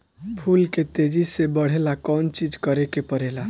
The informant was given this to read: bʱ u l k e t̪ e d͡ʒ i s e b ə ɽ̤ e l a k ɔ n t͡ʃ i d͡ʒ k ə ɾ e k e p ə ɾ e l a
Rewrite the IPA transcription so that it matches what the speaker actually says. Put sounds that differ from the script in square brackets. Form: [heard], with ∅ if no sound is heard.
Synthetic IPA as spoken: bʱ u l k e t̪ e d͡ʒ i s e b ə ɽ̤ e l a k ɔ n t͡ʃ i d͡ʒ k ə ɾ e k e p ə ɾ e l a